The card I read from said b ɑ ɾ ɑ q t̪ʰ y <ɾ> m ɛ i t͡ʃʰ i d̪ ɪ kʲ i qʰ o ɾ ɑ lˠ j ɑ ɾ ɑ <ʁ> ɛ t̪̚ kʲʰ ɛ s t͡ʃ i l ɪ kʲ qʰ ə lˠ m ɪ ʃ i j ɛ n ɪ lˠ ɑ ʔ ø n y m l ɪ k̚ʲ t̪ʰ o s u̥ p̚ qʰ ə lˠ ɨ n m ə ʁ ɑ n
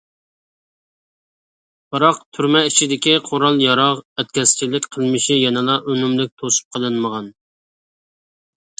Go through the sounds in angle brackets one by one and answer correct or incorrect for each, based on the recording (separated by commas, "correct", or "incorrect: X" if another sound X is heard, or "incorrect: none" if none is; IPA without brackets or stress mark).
correct, correct